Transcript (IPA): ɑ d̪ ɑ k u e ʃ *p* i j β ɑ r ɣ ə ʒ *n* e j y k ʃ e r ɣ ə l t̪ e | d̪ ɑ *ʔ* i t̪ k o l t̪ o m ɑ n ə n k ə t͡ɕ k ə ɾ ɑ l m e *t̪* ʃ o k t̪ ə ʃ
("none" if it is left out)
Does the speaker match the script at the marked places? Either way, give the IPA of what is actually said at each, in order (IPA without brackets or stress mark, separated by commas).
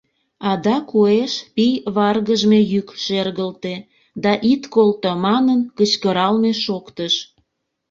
p, m, ʔ, none